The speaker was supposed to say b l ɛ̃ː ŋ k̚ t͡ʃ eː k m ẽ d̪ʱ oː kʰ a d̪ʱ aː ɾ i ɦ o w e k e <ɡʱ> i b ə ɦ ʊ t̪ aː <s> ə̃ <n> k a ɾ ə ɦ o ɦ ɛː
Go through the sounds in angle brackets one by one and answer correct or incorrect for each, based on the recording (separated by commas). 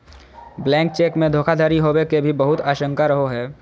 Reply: incorrect, incorrect, incorrect